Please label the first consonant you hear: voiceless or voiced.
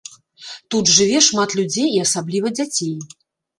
voiceless